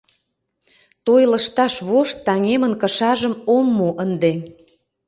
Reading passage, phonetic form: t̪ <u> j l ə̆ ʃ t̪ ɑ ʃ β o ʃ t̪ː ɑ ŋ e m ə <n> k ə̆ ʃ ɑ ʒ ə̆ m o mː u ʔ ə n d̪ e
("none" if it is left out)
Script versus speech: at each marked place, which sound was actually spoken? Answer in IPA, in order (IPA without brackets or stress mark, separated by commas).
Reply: o, n